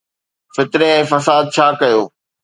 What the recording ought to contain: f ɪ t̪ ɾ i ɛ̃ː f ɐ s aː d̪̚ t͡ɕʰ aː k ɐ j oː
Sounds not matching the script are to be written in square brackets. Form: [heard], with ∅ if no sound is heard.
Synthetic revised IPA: f ɪ t̪ ɾ [e] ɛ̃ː f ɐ s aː d̪̚ t͡ɕʰ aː k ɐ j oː